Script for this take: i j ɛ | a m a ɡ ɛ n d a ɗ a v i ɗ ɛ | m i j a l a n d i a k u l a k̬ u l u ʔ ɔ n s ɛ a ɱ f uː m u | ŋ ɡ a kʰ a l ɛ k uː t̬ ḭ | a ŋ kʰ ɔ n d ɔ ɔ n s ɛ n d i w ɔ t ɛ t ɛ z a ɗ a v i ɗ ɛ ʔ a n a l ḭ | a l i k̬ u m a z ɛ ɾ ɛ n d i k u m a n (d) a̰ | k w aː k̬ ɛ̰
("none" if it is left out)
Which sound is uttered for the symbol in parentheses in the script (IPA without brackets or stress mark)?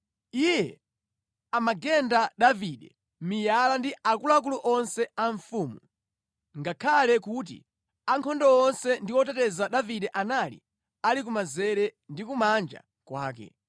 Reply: d͡ʒ